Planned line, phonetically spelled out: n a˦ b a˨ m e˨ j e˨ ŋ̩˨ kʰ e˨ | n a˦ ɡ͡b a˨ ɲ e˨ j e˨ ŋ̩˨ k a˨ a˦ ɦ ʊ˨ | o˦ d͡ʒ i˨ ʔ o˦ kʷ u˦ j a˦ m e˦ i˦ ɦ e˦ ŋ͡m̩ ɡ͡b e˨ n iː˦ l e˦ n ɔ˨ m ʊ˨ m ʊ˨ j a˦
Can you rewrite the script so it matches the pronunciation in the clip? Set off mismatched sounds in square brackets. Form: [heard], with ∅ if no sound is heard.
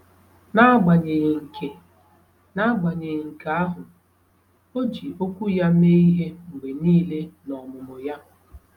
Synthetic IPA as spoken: n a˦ [ɡ͡b] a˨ [ɲ] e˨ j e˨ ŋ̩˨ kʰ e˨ | n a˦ ɡ͡b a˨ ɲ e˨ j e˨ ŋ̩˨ k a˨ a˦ ɦ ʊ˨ | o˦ d͡ʒ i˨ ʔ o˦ kʷ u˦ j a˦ m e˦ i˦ ɦ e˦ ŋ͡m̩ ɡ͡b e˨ n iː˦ l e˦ n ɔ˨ m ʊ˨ m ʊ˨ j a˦